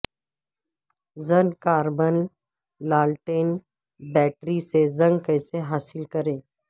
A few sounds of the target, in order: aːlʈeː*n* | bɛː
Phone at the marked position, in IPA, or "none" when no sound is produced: n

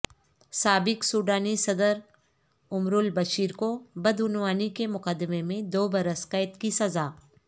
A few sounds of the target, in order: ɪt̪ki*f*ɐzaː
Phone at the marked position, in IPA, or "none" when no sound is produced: s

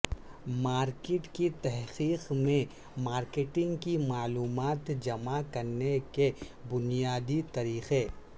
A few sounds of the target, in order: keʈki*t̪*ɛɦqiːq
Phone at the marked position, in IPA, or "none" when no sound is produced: t̪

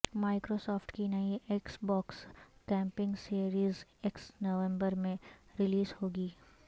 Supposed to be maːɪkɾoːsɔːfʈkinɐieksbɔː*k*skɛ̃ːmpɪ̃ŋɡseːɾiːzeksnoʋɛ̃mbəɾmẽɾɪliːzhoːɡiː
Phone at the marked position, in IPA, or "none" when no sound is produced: k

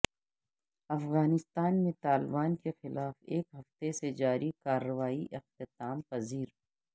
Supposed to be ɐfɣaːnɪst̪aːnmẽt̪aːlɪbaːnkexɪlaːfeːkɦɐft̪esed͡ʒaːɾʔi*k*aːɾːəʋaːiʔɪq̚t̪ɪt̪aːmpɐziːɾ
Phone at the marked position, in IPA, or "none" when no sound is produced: k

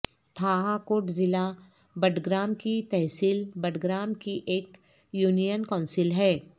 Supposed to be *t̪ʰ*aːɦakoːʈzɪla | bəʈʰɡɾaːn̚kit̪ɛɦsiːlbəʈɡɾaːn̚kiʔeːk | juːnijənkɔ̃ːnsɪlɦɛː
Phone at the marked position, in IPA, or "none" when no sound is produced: t̪ʰ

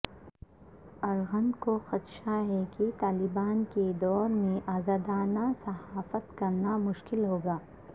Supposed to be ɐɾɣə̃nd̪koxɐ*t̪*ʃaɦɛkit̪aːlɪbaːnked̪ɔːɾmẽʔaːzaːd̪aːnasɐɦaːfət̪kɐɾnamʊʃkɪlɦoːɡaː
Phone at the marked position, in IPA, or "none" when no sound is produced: t̪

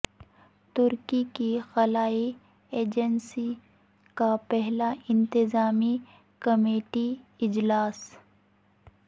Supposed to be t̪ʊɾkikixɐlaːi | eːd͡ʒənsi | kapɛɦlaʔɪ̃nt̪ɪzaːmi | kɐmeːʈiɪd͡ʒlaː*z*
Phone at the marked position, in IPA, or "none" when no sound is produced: s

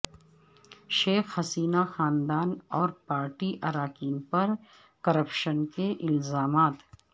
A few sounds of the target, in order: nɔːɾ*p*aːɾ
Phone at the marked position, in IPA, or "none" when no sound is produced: p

